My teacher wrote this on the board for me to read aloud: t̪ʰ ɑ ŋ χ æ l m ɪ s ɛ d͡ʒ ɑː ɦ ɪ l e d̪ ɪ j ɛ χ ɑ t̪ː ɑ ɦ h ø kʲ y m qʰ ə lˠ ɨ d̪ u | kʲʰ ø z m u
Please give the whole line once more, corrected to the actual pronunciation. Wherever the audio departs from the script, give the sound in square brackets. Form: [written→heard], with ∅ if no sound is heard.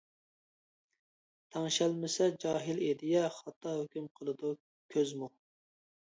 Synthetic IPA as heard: t̪ʰ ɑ ŋ [χ→ʃ] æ l m ɪ s ɛ d͡ʒ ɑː ɦ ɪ l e d̪ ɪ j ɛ χ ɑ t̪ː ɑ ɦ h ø kʲ y m qʰ ə lˠ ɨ d̪ u | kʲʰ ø z m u